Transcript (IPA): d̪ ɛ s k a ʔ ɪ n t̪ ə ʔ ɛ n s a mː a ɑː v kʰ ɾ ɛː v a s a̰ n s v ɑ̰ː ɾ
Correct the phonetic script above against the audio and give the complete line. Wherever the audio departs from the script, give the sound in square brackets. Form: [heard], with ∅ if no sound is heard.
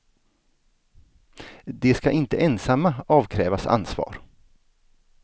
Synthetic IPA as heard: d̪ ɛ s k a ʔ ɪ n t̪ ə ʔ ɛ n s a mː a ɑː v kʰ ɾ ɛː v a s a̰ n s v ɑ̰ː ɾ